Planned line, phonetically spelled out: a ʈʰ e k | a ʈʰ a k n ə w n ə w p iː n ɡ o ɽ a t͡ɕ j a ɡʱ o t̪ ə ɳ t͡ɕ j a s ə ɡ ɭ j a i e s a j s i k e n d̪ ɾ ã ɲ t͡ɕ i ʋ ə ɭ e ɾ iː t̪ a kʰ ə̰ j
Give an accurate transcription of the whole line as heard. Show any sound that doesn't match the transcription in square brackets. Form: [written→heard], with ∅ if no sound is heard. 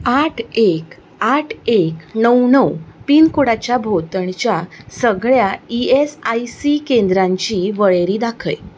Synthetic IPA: a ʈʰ e k | a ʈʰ [a→e] k n ə w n ə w p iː n [ɡ→k] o ɽ a t͡ɕ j a [ɡʱ→bʱ] o t̪ ə ɳ t͡ɕ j a s ə ɡ ɭ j a i e s a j s i k e n d̪ ɾ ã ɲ t͡ɕ i ʋ ə ɭ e ɾ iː [t̪→d̪] a kʰ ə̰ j